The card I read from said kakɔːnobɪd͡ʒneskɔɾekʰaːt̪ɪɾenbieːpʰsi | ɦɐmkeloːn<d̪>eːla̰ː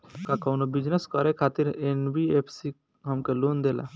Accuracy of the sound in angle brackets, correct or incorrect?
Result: correct